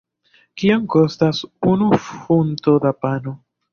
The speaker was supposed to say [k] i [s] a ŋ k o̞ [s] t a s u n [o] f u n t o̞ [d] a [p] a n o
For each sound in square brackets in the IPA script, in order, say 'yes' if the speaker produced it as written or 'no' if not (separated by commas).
yes, no, yes, no, yes, yes